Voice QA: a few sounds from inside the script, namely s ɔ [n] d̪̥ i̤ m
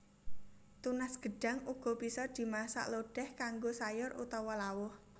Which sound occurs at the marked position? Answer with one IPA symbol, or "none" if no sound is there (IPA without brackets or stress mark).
none